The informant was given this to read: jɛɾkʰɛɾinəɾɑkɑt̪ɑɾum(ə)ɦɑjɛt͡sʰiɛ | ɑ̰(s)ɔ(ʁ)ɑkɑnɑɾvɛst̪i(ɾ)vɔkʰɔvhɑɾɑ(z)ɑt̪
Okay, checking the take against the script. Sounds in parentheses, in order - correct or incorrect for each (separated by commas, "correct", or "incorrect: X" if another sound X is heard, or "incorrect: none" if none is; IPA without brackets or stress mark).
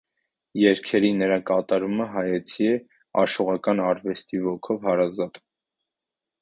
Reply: correct, incorrect: ʃ, correct, incorrect: none, correct